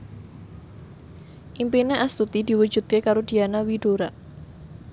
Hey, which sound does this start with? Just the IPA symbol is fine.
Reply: ʔ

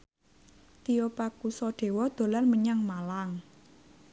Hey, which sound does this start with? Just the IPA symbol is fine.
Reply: t̪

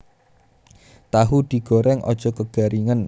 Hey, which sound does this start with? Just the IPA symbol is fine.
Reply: t̪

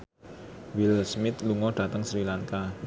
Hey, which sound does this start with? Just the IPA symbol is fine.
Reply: w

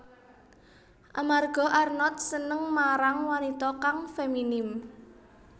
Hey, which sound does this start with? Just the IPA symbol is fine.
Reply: ʔ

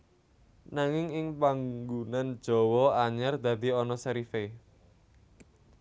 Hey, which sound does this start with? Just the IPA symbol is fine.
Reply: n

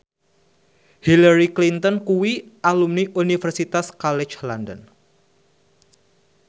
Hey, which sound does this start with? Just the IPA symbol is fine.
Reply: h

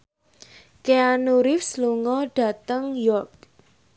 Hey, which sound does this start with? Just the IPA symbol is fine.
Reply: k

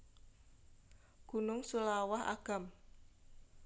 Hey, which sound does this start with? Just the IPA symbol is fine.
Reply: ɡ̥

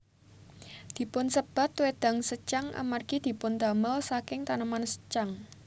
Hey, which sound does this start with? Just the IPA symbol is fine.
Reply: d̪̥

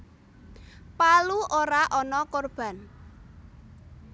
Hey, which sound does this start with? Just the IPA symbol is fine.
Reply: p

